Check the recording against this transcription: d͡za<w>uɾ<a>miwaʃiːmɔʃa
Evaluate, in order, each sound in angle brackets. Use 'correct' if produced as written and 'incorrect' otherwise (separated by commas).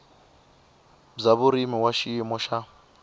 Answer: incorrect, incorrect